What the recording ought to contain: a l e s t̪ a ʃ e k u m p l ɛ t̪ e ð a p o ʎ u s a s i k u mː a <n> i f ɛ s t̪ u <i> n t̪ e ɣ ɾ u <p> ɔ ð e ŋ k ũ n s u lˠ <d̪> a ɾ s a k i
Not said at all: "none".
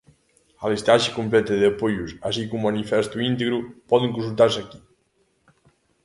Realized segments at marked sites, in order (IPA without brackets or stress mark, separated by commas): n, i, p, t̪